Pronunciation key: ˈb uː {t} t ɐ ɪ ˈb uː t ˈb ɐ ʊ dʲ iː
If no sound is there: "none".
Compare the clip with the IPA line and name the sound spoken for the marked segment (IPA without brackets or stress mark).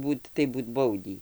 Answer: t